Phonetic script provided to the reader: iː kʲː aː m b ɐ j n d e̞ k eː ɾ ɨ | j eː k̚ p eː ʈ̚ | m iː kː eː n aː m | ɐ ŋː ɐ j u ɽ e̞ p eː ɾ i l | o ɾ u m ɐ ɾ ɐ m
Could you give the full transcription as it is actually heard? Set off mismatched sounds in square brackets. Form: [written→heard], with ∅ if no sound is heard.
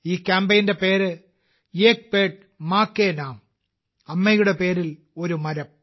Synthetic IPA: iː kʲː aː m b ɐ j n d e̞ [k→p] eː ɾ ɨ | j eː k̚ p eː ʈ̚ | m [iː→aː] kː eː n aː m | ɐ [ŋː→mː] ɐ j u ɽ e̞ p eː ɾ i l | o ɾ u m ɐ ɾ ɐ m